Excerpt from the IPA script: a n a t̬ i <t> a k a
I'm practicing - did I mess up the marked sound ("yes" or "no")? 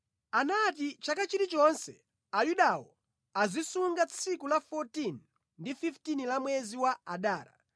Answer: yes